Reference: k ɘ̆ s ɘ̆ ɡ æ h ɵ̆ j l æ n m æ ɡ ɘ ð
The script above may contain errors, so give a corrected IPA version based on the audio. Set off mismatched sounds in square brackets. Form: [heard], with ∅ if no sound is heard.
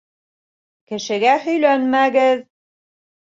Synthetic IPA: k ɘ̆ [ʃ] ɘ̆ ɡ æ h ɵ̆ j l æ n m æ ɡ ɘ ð